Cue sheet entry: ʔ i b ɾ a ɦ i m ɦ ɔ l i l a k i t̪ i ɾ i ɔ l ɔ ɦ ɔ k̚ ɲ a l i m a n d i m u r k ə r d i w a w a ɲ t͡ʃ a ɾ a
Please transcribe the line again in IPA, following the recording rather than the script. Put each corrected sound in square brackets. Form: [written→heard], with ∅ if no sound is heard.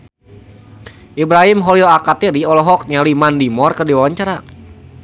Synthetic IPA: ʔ i b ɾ a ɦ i m ɦ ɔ l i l a k [i→a] t̪ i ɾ i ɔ l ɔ ɦ ɔ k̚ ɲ a l i m a n d i m [u→ɔ] r k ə r d i w a w a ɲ t͡ʃ a ɾ a